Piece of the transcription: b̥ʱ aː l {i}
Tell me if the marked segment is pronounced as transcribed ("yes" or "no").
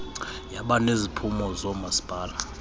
no